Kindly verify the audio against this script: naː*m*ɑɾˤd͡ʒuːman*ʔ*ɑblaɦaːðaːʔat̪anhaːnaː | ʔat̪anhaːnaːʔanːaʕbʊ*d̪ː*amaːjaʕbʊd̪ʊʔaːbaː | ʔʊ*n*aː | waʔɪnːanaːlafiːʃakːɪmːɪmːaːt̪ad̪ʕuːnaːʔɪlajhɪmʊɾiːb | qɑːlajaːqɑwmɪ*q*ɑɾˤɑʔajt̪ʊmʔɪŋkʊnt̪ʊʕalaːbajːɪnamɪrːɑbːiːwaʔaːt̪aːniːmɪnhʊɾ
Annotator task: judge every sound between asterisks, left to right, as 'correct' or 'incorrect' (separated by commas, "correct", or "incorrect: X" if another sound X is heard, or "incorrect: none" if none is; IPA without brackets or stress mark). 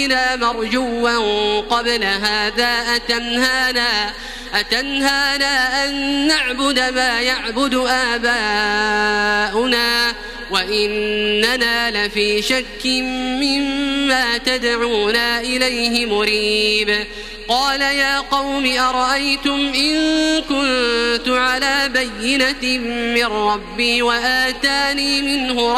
correct, incorrect: q, incorrect: d̪, correct, incorrect: ʔ